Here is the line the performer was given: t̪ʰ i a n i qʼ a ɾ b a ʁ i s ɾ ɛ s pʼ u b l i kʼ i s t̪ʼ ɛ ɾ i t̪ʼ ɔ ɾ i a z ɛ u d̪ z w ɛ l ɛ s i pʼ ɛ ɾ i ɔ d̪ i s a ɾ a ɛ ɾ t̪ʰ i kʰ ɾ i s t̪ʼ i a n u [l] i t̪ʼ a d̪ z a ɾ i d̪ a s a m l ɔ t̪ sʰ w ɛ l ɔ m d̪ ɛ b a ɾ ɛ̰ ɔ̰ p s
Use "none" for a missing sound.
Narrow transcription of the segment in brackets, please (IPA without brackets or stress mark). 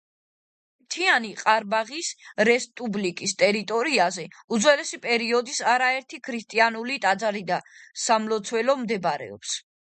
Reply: l